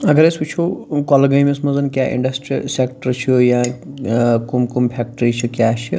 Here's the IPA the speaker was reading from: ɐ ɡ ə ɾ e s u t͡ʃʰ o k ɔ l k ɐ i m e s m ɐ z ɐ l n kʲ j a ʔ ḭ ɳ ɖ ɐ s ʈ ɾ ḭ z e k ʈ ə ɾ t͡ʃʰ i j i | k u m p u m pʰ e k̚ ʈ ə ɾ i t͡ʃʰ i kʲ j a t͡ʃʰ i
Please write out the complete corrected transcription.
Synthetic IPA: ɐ ɡ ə ɾ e s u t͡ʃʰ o k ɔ l ɡ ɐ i m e s m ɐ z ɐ n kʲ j a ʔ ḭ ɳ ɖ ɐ s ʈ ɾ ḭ s e k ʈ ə ɾ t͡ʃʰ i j a | k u m k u m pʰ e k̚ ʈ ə ɾ i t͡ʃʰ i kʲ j a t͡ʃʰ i

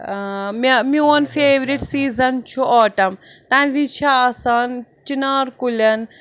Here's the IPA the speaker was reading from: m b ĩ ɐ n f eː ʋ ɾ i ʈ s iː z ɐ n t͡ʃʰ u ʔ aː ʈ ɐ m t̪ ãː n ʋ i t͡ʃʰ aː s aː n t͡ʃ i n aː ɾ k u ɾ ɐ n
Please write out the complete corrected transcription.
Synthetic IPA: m m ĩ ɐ n f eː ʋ ɾ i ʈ s iː z ɐ n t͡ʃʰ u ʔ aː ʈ ɐ m t̪ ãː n ʋ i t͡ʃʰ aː s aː n t͡ʃ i n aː ɾ k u l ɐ n

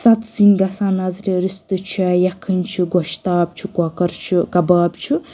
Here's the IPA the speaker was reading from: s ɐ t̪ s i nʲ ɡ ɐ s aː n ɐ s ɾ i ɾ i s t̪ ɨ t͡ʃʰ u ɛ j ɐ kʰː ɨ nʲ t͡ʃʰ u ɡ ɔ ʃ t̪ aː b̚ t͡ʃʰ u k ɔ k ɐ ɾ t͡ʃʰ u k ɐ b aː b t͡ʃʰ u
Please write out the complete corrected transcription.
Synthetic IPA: s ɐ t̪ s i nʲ ɡ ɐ s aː n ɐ z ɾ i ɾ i s t̪ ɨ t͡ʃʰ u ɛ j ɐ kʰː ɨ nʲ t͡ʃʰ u ɡ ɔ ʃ t̪ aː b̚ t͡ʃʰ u k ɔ k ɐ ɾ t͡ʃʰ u k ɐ b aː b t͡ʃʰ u

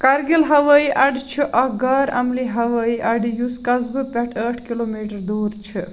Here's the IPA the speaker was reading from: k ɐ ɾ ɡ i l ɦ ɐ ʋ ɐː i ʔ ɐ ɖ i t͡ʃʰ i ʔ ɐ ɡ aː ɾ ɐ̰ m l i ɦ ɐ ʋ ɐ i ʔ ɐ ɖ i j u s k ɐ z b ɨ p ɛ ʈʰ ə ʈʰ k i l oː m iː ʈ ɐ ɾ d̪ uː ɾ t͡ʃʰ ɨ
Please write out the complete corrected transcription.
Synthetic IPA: k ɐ ɾ ɡ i l ɦ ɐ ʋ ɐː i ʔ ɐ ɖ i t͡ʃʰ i ʔ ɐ ɡ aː ɾ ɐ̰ m l i ɦ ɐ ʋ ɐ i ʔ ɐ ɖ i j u s k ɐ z b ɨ p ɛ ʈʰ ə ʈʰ k i l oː m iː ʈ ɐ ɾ d̪ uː ɾ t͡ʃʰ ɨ

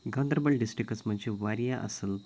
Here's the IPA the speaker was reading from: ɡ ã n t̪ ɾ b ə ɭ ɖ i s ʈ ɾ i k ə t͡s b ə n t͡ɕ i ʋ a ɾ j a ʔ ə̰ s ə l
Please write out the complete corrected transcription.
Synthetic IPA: ɡ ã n d̪ ɾ b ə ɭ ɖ i s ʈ ɾ i k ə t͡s m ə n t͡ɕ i ʋ a ɾ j a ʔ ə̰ s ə l

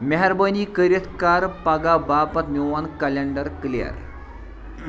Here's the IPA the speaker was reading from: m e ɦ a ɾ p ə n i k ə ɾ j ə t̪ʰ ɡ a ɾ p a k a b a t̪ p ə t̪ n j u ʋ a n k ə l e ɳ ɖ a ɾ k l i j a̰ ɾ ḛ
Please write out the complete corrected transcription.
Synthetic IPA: m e ɦ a ɾ b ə n i k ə ɾ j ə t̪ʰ k a ɾ p a ɡ a b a p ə t̪ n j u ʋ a n k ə l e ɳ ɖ ə ɾ k l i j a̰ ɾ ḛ

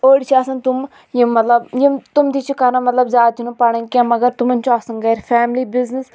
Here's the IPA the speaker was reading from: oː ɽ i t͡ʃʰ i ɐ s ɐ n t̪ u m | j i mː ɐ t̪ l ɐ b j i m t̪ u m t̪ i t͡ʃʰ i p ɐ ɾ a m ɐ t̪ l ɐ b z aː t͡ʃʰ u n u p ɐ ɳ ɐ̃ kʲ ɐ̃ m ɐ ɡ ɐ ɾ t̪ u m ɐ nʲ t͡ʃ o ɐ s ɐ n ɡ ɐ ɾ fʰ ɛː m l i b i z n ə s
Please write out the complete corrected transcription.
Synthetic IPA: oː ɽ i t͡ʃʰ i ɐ s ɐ n t̪ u m | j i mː ɐ t̪ l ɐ b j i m t̪ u m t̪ i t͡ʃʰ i k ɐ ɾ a m ɐ t̪ l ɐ b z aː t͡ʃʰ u n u p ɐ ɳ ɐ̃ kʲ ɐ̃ m ɐ ɡ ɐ ɾ t̪ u m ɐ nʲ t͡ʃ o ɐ s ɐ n ɡ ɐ ɾ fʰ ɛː m l i b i z n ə s

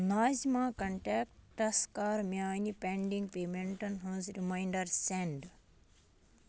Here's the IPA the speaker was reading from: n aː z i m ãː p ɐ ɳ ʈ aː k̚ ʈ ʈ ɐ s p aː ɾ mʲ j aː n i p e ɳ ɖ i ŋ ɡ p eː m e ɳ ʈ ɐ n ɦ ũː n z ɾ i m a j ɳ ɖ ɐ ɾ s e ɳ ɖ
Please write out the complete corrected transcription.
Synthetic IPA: n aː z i m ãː k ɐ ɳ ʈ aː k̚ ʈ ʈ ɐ s k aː ɾ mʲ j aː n i p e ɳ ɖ i ŋ ɡ p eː m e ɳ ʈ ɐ n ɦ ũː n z ɾ i m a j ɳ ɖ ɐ ɾ s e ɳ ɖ

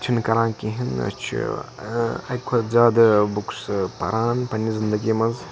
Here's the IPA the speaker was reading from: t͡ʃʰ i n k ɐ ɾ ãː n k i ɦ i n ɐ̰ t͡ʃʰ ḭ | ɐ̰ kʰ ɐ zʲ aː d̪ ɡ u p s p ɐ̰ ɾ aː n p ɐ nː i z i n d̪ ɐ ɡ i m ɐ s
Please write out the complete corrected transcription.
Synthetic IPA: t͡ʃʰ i n k ɐ ɾ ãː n k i ɦ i n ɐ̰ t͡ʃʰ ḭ | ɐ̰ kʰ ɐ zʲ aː d̪ b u k s p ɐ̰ ɾ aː n p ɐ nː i z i n d̪ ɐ ɡ i m ɐ z

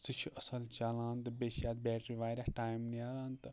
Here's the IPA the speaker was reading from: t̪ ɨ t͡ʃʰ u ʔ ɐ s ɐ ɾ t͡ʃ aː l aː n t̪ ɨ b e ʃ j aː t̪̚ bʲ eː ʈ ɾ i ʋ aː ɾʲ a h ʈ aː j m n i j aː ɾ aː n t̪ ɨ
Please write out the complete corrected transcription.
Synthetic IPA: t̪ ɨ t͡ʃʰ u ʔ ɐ s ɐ l t͡ʃ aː l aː n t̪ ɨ b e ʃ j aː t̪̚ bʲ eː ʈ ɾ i ʋ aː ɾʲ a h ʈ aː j m n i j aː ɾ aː n t̪ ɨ

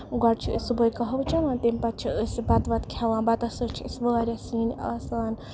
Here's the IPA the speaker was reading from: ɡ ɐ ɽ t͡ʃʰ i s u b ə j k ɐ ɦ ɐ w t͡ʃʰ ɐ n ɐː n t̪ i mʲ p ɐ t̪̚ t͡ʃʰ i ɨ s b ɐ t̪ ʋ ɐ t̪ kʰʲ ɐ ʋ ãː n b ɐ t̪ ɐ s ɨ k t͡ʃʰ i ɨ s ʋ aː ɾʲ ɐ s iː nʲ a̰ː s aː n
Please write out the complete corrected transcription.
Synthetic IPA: ɡ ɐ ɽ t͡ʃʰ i s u b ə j k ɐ ɦ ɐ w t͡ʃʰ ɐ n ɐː n t̪ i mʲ p ɐ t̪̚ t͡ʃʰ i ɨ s b ɐ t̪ ʋ ɐ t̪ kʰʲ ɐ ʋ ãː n b ɐ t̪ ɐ s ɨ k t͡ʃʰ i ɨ s ʋ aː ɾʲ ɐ s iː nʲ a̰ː s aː n

